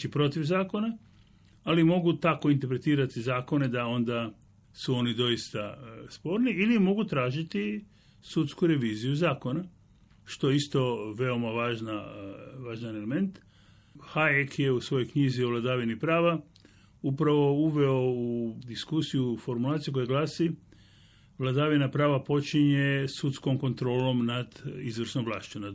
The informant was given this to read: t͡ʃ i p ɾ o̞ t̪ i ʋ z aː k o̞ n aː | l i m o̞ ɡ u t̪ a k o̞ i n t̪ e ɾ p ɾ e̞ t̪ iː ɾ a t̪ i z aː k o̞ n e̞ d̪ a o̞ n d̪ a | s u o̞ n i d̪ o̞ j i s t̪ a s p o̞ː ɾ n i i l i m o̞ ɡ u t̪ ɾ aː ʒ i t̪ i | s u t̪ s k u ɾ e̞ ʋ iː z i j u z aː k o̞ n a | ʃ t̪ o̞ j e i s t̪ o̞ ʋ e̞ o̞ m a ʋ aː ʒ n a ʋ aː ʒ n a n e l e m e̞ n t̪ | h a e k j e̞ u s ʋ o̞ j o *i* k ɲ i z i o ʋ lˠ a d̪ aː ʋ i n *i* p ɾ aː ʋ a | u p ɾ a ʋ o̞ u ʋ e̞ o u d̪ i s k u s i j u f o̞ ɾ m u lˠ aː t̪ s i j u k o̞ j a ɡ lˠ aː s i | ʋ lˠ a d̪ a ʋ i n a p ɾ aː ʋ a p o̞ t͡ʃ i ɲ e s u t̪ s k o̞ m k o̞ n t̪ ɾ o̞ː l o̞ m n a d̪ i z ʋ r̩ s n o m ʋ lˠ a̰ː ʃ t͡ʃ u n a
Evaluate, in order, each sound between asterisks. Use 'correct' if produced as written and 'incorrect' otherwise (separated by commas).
incorrect, correct